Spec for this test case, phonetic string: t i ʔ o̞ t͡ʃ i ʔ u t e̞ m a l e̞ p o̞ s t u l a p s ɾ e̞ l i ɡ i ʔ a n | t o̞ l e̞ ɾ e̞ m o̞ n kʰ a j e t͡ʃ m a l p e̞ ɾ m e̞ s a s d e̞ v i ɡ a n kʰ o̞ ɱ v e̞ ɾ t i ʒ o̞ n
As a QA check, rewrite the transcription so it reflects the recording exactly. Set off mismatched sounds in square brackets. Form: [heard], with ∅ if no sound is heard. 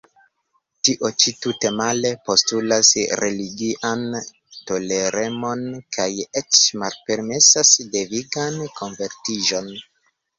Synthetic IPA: t i ʔ o̞ t͡ʃ i [t] u t e̞ m a l e̞ p o̞ s t u l a [∅] s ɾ e̞ l i ɡ i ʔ a n | t o̞ l e̞ ɾ e̞ m o̞ n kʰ a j e t͡ʃ m a l p e̞ ɾ m e̞ s a s d e̞ v i ɡ a n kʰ o̞ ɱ v e̞ ɾ t i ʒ o̞ n

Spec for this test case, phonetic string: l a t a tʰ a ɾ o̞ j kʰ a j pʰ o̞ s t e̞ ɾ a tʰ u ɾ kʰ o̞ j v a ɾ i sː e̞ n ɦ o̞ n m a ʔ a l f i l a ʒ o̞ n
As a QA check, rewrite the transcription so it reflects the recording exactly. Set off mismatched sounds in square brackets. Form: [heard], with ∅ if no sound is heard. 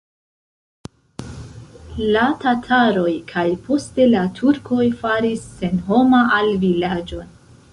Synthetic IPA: l a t a tʰ a ɾ o̞ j kʰ a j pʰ o̞ s t e̞ [l] a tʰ u ɾ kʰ o̞ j [f] a ɾ i sː e̞ n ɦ o̞ [∅] m a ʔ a l [v] i l a [d͡ʒ] o̞ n

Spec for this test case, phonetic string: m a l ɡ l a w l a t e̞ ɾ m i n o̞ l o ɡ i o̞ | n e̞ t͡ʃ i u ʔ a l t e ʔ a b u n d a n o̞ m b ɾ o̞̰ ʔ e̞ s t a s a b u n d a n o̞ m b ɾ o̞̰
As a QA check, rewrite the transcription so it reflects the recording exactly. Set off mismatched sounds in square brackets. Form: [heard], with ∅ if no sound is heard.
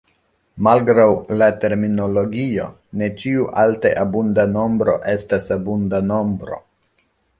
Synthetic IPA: m a l ɡ [ɾ] a w l a t e̞ ɾ m i n o̞ l o ɡ i o̞ | n e̞ t͡ʃ i u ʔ a l t e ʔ a b u n d a n o̞ m b ɾ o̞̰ ʔ e̞ s t a s a b u n d a n o̞ m b ɾ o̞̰

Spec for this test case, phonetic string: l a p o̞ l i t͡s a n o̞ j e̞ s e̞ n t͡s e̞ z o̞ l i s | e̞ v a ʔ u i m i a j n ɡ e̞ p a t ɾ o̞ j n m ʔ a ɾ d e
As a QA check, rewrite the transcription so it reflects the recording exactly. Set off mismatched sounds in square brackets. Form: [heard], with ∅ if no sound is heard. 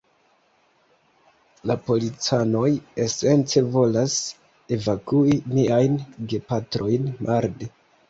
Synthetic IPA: l a p o̞ l i t͡s a n o̞ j e̞ s e̞ n t͡s e̞ [v] o̞ l [a] s | e̞ v a [k] u i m i a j n ɡ e̞ p a t ɾ o̞ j n m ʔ a ɾ d e

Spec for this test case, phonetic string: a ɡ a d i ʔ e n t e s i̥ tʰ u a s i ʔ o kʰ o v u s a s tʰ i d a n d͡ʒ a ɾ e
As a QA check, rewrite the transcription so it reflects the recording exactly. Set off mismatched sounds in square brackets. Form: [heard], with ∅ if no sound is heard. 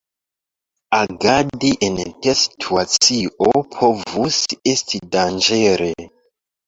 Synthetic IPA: a ɡ a d i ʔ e n t e s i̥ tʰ u a [t͡s] i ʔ o [pʰ] o v u s [e] s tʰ i d a n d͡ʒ [e] ɾ e

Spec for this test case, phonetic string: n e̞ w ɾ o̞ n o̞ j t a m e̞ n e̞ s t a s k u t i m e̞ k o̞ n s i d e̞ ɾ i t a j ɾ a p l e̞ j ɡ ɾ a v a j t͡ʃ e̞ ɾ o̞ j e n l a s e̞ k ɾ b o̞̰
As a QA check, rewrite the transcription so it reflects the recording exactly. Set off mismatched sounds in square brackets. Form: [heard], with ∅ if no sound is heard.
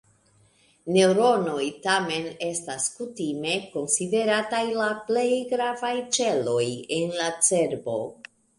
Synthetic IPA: n e̞ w ɾ o̞ n o̞ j t a m e̞ n e̞ s t a s k u t i m e̞ k o̞ n s i d e̞ ɾ [a] t a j [l] a p l e̞ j ɡ ɾ a v a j t͡ʃ e̞ [l] o̞ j e n l a [t͡s] e̞ [∅] ɾ b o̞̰

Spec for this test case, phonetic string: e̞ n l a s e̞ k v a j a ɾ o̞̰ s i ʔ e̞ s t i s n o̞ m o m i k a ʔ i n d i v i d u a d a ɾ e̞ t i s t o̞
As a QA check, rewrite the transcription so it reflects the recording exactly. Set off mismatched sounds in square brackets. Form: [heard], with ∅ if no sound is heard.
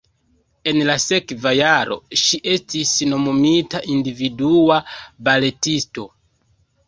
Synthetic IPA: e̞ n l a s e̞ k v a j a ɾ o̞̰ [ʃ] i ʔ e̞ s t i s n o̞ m o m i [t] a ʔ i n d i v i d u a [b] a [l] e̞ t i s t o̞

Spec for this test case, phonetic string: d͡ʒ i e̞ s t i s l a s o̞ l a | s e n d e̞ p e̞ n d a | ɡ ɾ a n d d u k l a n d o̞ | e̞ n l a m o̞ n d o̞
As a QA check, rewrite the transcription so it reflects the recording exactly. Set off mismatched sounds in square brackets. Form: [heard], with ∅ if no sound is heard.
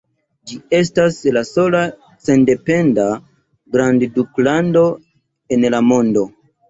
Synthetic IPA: d͡ʒ i e̞ s t [a] s l a s o̞ l a | s e n d e̞ p e̞ n d a | ɡ ɾ a n d d u k l a n d o̞ | e̞ n l a m o̞ n d o̞

